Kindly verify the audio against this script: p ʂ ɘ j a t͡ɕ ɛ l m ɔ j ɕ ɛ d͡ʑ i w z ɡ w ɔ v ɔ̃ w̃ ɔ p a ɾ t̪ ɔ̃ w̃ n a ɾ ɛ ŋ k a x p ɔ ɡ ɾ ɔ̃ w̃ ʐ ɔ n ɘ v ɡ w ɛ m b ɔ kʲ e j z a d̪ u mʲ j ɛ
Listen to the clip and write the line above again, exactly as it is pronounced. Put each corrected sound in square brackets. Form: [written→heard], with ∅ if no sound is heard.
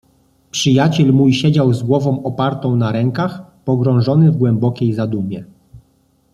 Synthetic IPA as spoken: p ʂ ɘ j a t͡ɕ ɛ l m [ɔ→u] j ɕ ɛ d͡ʑ [i→a] w z ɡ w ɔ v ɔ̃ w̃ ɔ p a ɾ t̪ ɔ̃ w̃ n a ɾ ɛ ŋ k a x p ɔ ɡ ɾ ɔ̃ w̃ ʐ ɔ n ɘ v ɡ w ɛ m b ɔ kʲ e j z a d̪ u mʲ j ɛ